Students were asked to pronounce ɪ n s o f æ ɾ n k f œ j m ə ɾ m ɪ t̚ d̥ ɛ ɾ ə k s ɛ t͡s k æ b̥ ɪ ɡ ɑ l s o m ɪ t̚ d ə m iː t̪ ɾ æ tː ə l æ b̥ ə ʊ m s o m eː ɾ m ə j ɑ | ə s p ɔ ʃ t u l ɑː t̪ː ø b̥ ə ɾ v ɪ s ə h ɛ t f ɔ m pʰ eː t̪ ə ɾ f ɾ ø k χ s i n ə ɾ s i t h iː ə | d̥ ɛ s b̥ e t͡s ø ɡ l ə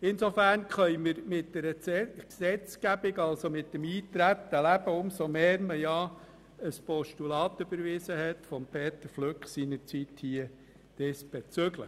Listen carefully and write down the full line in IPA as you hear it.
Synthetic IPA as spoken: ɪ n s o f æ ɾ n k χ œ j m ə ɾ m ɪ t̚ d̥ ɛ ɾ ə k s ɛ t͡s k æ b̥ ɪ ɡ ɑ l s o m ɪ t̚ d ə m iː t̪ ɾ æ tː ə l æ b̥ ə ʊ m s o m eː ɾ m ə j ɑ | ə s p ɔ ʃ t u l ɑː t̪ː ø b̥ ə ɾ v ɪ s ə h ɛ t f ɔ m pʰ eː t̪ ə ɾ f l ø k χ s i n ə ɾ t͡s i t h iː ə | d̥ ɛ s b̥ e t͡s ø ɡ l ə